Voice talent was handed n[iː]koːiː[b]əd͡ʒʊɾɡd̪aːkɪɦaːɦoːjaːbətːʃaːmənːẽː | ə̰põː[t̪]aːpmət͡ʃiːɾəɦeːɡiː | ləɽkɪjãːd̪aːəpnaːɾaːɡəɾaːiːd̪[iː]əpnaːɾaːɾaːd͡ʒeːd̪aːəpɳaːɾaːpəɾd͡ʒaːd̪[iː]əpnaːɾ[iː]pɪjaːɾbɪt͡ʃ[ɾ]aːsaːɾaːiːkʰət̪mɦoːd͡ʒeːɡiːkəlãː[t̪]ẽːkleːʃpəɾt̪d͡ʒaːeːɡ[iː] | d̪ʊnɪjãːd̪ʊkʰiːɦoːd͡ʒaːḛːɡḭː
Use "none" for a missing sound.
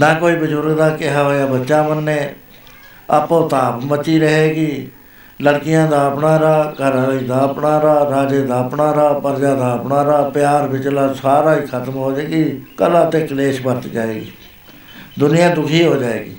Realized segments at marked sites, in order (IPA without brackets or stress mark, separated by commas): aː, b, t̪, aː, aː, aː, l, t̪, iː